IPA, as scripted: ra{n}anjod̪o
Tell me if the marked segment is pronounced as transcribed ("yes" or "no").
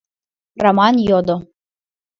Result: no